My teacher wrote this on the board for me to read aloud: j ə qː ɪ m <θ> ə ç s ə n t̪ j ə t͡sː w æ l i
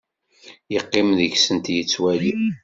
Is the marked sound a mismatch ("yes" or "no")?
yes